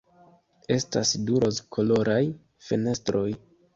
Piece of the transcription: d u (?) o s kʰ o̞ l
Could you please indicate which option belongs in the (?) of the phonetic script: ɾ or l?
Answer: ɾ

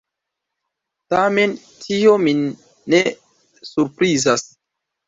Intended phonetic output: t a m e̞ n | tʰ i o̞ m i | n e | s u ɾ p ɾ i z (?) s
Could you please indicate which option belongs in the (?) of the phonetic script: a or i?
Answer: a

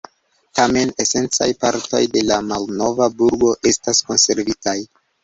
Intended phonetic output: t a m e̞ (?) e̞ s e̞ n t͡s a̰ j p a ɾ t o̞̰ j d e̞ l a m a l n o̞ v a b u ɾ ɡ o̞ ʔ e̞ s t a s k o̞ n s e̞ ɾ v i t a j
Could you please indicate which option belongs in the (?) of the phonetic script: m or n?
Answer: n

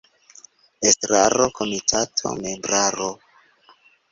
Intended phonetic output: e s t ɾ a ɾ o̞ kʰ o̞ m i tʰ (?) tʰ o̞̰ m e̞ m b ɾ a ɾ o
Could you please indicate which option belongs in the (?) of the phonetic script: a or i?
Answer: a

